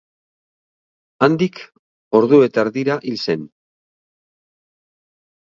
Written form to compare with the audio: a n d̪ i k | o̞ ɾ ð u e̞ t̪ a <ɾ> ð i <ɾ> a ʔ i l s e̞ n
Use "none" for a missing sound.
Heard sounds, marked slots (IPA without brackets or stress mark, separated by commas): ɾ, ɾ